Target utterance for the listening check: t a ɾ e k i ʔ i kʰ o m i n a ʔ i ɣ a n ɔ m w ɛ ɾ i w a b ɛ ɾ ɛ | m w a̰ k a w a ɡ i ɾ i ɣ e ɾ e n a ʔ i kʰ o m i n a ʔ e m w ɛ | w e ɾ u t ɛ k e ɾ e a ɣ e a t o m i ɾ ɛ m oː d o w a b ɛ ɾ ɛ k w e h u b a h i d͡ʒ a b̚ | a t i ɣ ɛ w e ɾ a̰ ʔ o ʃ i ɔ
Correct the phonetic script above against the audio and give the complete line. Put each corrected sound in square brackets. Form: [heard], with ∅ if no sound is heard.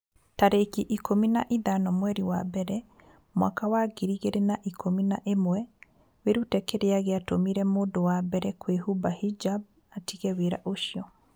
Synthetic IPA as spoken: t a ɾ e k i ʔ i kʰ o m i n a ʔ i [ð] a n ɔ m w ɛ ɾ i w a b ɛ ɾ ɛ | m w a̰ k a w a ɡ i ɾ i ɣ e ɾ e n a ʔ i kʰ o m i n a ʔ e m w ɛ | w e ɾ u t ɛ k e ɾ e a ɣ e a t o m i ɾ ɛ m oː d o w a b ɛ ɾ ɛ k w e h u b a h i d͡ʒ a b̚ | a t i ɣ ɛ w e ɾ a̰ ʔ o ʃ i ɔ